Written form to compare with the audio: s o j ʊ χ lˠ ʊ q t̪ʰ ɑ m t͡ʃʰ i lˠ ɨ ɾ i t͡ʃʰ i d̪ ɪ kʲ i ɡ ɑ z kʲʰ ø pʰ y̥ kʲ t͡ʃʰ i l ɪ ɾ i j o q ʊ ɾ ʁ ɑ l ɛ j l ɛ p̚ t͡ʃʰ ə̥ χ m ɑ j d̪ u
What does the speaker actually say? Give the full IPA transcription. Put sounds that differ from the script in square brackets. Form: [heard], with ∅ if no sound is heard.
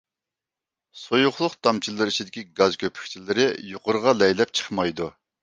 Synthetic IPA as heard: s o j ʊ χ lˠ ʊ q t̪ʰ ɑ m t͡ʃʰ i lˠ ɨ ɾ i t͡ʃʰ i d̪ ɪ kʲ i ɡ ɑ z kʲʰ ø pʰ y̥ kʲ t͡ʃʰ i l ɪ ɾ [ɪ] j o q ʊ ɾ ʁ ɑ l ɛ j l ɛ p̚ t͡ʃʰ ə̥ χ m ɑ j d̪ u